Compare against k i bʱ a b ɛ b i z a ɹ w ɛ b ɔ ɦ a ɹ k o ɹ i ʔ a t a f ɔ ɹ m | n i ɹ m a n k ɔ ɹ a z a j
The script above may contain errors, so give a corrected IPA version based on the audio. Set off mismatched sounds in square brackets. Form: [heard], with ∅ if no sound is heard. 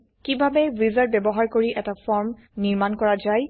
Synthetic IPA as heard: k i bʱ a b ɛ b i z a ɹ [b] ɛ b ɔ ɦ a ɹ k o ɹ i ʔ [ɛ] t a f ɔ ɹ m | n i ɹ m a n k ɔ ɹ a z a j